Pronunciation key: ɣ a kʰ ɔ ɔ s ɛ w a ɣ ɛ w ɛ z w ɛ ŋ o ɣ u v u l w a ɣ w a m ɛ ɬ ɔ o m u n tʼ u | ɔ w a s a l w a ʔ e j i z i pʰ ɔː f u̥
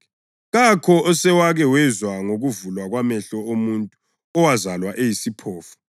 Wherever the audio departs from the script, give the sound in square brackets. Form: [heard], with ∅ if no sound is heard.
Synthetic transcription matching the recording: ɣ a kʰ ɔ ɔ s ɛ w a ɣ ɛ w ɛ z w [a] ŋ o ɣ u v u l w a ɣ w a m ɛ ɬ ɔ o m u n tʼ u | ɔ w a [z] a l w a ʔ e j i [s] i pʰ ɔː f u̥